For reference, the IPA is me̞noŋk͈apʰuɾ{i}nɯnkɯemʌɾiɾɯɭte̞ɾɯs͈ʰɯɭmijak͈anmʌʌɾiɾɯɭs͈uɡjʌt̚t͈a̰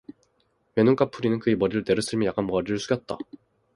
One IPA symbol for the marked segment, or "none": i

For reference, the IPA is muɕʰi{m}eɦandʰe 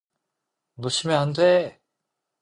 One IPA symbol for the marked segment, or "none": m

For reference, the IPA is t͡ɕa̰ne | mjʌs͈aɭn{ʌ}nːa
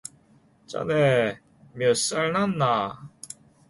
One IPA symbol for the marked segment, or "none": a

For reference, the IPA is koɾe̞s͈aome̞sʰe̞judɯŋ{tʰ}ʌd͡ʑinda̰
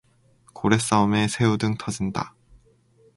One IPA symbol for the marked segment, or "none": tʰ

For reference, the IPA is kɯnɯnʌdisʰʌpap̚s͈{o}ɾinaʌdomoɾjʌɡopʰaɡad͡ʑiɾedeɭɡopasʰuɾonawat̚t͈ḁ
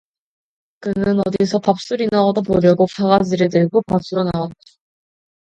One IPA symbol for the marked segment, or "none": u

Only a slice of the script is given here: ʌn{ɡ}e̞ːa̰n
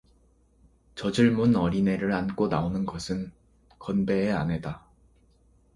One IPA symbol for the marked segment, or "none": b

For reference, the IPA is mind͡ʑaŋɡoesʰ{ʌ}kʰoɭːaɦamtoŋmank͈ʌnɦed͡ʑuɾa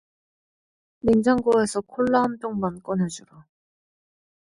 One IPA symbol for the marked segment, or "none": ʌ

